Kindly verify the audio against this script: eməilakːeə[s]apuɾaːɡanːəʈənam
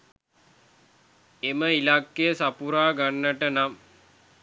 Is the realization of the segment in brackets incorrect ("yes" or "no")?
no